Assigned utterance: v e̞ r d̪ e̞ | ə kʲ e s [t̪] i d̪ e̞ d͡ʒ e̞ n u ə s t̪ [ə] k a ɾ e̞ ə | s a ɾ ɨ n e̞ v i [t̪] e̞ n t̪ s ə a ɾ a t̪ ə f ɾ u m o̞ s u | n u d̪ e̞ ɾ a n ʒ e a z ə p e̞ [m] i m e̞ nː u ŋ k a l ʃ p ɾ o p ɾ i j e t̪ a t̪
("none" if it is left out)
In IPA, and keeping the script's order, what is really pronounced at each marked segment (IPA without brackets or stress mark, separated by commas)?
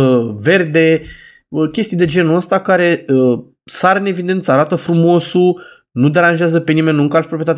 t̪, a, d̪, n